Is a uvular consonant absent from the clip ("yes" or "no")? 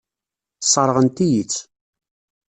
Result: no